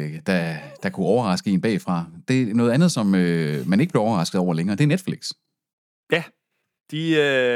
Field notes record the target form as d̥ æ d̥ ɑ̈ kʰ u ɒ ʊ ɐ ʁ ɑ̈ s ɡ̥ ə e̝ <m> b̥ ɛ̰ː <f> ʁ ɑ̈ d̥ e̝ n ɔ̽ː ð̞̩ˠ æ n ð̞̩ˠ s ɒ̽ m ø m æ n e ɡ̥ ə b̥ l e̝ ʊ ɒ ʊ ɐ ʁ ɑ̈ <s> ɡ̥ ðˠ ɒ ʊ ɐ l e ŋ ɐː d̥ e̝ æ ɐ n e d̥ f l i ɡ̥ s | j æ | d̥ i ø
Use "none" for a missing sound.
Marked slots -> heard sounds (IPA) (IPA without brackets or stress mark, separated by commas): n, f, s